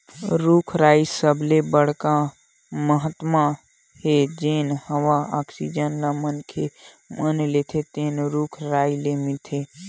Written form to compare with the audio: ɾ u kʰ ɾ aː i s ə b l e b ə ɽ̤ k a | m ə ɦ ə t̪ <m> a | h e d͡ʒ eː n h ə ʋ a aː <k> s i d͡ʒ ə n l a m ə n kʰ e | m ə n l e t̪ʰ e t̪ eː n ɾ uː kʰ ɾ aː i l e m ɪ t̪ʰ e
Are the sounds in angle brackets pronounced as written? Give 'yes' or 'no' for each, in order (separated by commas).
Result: yes, yes